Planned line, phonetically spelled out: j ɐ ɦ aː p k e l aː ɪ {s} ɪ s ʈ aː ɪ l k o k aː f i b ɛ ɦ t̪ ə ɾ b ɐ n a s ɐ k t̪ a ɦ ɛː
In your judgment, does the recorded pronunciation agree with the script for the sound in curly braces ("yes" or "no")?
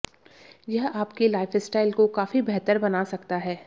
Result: no